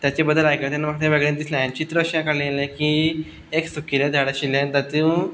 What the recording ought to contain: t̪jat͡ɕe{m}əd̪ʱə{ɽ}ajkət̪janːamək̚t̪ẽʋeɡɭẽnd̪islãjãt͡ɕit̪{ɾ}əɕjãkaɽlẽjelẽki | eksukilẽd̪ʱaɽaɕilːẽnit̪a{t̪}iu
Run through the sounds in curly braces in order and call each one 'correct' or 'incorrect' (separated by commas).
incorrect, incorrect, correct, correct